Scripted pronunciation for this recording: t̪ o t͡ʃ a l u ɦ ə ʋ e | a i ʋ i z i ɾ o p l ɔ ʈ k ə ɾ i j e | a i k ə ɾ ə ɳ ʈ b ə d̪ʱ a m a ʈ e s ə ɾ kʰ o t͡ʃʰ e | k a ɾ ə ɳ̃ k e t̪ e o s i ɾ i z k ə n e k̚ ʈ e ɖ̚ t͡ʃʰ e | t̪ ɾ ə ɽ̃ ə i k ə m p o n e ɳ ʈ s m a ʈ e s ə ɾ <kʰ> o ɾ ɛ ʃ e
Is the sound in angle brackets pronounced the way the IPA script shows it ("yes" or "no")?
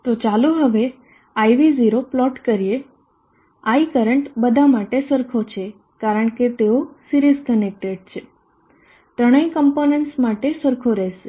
yes